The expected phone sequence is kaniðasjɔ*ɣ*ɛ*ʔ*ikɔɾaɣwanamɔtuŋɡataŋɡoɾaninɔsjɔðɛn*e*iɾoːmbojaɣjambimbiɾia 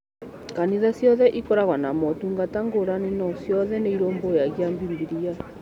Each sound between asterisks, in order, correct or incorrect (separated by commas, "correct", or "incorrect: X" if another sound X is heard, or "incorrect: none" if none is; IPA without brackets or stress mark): incorrect: ð, correct, correct